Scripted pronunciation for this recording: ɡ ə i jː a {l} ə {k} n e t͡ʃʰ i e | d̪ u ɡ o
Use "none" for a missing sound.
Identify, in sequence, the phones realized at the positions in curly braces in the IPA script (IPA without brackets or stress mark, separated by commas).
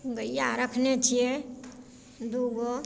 ɾ, kʰ